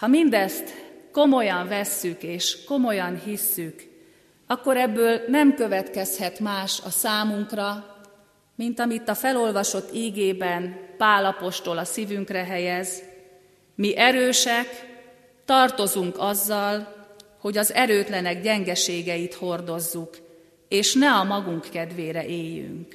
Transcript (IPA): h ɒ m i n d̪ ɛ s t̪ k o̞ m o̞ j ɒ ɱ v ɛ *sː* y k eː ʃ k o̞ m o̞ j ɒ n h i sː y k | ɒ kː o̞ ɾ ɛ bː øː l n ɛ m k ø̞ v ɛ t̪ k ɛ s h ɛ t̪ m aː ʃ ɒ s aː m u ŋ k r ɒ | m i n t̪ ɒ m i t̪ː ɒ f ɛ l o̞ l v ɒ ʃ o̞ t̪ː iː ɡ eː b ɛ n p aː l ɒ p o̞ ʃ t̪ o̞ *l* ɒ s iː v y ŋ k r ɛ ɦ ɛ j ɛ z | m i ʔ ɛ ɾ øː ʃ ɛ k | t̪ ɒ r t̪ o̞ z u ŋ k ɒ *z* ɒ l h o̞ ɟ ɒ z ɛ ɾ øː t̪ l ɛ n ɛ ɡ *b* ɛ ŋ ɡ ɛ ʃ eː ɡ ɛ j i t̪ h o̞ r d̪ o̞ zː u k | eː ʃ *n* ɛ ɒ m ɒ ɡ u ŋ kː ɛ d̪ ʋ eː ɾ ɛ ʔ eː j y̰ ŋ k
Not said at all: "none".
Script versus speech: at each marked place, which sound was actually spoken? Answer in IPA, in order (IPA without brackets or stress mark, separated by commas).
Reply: sː, l, zː, ɟ, n